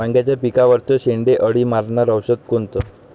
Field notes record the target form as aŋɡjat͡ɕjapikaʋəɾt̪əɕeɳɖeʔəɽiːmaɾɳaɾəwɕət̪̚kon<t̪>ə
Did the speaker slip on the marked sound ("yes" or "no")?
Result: no